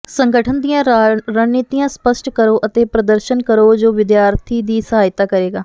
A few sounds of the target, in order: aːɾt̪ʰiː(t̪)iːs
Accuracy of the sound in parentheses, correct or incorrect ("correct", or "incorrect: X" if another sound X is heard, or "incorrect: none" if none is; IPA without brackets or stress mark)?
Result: incorrect: d̪